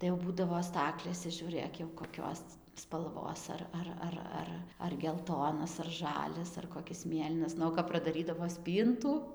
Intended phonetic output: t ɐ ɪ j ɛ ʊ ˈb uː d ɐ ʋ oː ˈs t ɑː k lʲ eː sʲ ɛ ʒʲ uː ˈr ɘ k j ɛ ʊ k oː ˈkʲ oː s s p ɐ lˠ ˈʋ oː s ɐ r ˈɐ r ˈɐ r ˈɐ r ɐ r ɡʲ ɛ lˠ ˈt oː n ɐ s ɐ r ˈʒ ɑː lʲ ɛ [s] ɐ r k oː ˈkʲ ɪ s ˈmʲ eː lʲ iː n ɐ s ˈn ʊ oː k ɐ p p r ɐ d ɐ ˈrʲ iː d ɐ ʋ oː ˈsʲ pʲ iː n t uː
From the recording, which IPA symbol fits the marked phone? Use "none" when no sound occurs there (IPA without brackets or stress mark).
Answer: s